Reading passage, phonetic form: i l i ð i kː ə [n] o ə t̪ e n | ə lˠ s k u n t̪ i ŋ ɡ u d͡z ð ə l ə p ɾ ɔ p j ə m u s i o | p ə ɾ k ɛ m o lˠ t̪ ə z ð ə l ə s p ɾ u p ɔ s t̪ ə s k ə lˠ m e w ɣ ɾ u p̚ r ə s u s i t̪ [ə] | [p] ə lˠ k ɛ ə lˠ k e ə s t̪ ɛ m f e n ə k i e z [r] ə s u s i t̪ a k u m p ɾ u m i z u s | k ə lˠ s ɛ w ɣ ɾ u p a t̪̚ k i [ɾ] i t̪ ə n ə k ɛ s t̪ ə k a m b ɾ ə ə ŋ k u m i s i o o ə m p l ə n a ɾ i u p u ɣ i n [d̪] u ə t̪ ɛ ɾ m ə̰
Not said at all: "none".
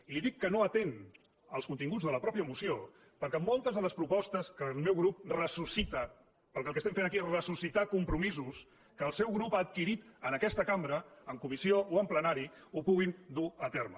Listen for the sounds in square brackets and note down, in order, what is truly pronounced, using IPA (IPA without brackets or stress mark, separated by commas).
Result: n, ə, p, r, ɾ, d̪